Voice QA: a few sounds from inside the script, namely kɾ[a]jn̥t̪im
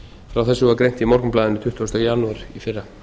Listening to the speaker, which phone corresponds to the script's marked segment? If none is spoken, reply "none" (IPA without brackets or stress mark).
e